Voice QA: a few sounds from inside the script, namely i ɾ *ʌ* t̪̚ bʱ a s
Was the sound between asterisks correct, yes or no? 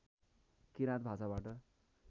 no